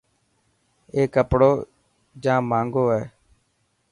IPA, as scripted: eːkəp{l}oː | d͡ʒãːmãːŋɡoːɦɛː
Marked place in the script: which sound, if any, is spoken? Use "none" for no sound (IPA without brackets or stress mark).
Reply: ɽ